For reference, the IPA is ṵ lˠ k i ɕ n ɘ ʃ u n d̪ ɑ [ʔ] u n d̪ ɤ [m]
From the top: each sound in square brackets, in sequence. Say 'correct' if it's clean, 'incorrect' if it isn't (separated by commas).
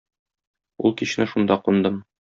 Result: incorrect, correct